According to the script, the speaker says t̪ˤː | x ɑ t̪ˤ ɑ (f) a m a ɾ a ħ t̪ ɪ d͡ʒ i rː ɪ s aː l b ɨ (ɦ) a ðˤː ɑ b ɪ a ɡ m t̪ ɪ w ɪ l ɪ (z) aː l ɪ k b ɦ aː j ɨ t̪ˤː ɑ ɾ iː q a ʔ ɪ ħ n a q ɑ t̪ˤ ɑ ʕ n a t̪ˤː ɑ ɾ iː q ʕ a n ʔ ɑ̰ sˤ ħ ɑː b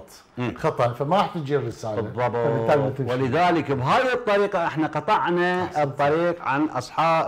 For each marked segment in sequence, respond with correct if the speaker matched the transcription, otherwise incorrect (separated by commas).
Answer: correct, incorrect, incorrect